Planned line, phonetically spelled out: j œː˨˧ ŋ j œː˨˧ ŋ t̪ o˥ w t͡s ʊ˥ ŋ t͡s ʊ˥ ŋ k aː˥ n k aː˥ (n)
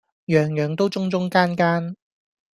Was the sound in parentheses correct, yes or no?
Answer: yes